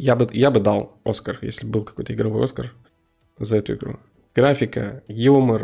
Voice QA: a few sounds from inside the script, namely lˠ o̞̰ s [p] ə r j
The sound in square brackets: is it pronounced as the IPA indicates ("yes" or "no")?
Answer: no